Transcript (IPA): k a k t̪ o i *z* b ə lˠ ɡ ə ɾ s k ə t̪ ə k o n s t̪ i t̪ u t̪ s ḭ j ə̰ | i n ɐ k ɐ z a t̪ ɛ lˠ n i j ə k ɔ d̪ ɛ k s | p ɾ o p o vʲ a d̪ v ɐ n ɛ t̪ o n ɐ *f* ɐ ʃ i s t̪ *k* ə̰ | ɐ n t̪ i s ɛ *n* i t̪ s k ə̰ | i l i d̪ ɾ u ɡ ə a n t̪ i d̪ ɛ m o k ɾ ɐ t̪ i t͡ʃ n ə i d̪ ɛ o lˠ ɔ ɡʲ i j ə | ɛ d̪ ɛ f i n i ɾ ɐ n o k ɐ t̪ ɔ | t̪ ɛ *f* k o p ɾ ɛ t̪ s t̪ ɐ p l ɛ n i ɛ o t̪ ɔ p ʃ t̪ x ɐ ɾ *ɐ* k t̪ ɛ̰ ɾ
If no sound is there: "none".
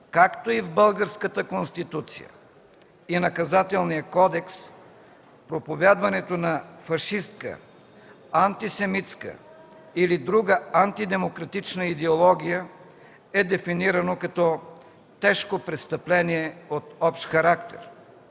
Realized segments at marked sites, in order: v, f, k, m, ʃ, a

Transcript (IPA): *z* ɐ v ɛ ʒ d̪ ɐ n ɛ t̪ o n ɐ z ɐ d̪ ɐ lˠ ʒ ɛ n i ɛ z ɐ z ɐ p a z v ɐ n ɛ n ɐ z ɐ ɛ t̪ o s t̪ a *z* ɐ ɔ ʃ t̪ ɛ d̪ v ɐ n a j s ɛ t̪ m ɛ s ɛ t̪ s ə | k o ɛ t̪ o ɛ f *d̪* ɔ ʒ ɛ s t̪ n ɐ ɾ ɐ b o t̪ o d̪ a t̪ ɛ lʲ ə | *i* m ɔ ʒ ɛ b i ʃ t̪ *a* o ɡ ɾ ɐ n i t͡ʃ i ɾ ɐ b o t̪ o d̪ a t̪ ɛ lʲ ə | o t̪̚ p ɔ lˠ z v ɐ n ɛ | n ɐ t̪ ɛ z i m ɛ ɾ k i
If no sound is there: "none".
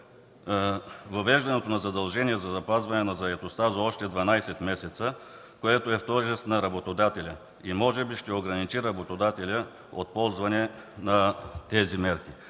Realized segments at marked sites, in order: v, z, t̪, i, ɛ

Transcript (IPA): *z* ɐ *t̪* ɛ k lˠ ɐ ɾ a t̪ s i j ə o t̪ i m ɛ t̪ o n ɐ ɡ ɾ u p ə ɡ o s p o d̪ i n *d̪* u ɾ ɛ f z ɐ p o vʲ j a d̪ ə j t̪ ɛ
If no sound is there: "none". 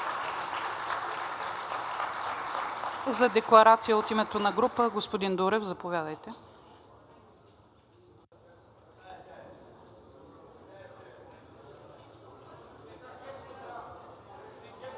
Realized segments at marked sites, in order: z, d̪, d̪

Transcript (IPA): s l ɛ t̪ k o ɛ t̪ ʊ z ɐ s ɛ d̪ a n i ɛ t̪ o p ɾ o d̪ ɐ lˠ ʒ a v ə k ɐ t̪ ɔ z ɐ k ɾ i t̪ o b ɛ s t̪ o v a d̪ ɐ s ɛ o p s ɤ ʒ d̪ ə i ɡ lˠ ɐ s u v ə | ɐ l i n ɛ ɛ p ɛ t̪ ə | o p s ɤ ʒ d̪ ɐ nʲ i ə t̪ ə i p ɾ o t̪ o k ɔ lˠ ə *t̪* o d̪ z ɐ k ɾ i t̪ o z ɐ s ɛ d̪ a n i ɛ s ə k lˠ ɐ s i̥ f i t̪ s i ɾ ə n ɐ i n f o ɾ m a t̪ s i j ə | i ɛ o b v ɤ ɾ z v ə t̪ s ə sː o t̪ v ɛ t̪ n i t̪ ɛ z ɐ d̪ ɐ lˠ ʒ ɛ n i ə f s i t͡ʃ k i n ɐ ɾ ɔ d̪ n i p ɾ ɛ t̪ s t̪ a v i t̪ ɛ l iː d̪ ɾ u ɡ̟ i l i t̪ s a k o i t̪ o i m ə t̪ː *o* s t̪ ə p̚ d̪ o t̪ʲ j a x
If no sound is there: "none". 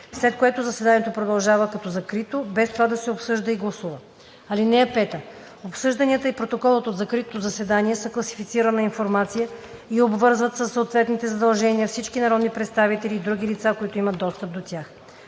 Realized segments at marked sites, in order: t̪, ɔ

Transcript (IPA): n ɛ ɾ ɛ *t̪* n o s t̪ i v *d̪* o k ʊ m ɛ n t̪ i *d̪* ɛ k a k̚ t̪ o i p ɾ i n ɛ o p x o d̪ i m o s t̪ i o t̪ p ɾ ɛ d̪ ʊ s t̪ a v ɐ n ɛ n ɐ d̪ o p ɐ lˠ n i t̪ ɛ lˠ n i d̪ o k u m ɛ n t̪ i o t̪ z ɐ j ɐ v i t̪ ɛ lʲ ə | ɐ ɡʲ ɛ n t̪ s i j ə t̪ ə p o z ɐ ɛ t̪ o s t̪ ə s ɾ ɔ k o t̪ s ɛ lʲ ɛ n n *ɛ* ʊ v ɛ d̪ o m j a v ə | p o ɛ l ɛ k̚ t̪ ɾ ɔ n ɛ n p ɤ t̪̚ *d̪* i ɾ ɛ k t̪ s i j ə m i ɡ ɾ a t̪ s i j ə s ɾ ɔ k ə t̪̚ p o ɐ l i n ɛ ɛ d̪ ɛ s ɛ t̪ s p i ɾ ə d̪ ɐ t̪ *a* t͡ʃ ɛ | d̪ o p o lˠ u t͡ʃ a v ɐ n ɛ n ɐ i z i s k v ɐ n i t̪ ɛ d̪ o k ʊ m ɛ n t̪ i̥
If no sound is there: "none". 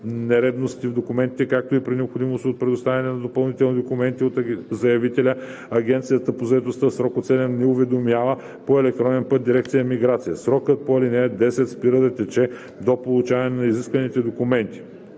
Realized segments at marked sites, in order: d̪, d̪, t̪, ɛ, d̪, ɛ

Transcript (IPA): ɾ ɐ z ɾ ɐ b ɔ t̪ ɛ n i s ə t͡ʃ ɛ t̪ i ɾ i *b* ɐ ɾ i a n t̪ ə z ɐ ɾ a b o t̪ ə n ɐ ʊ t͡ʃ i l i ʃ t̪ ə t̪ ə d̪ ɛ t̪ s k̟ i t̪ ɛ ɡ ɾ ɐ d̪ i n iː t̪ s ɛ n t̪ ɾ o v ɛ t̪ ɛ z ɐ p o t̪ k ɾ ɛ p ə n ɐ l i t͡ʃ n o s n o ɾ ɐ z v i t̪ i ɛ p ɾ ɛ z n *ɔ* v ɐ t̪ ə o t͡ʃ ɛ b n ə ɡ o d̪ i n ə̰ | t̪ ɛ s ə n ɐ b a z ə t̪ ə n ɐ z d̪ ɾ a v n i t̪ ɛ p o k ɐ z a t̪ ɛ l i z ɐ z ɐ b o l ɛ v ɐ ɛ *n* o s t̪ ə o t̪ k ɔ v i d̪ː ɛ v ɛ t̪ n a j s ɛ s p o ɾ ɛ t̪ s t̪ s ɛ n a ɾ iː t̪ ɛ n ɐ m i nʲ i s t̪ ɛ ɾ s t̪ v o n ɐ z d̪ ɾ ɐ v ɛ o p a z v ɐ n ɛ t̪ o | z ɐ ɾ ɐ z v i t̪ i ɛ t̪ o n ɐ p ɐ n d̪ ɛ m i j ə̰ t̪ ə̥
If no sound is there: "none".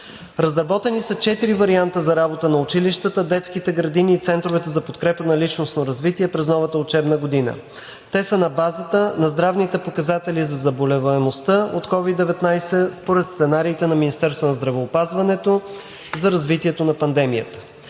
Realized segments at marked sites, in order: v, ɔ, m

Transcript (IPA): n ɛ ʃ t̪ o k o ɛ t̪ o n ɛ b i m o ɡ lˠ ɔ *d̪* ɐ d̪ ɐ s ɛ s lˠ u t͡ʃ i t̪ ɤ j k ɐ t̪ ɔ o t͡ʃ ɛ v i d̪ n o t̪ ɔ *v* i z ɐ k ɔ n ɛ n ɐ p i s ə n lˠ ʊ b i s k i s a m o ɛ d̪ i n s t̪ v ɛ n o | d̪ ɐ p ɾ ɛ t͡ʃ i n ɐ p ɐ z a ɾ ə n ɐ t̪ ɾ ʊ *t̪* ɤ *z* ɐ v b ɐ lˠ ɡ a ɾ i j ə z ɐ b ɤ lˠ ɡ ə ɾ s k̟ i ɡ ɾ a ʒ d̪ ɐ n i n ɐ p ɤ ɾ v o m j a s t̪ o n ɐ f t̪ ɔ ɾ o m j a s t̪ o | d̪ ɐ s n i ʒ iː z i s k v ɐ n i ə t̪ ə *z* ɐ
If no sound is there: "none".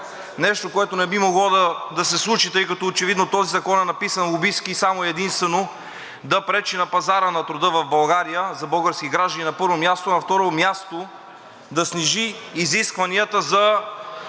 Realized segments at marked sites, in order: d̪, z, d̪, v, z

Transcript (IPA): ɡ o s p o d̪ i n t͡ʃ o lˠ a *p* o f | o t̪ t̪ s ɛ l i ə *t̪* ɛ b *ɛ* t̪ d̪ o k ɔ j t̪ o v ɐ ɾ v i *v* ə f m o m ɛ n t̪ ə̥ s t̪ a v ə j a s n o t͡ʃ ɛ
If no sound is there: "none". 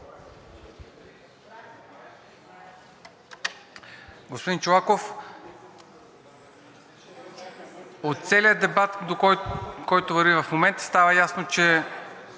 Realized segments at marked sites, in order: k, d̪, a, v

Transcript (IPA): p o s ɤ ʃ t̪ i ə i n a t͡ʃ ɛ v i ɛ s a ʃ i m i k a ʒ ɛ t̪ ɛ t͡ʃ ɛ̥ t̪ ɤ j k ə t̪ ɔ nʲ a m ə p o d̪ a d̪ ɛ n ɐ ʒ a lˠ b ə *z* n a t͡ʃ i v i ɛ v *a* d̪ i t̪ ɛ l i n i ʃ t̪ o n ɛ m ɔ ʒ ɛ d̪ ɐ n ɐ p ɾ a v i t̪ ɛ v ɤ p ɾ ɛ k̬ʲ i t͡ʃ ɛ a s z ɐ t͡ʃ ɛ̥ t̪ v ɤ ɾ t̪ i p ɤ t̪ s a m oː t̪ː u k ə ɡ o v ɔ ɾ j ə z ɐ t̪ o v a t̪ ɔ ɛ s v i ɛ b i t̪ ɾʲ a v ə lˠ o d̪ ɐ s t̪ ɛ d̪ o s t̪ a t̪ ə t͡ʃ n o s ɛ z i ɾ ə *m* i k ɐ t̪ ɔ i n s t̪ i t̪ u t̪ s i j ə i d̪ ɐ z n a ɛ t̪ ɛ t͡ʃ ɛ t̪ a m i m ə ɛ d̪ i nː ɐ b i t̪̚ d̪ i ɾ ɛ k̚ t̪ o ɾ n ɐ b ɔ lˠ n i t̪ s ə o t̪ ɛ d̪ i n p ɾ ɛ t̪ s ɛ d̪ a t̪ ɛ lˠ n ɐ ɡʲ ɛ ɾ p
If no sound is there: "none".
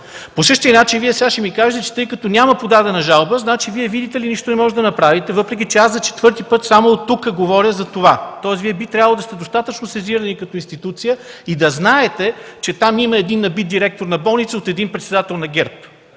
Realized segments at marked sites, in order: z, i, n

